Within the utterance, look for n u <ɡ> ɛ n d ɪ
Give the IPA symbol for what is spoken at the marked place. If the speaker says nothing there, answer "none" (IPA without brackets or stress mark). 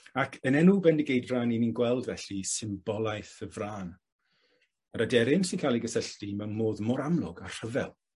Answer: b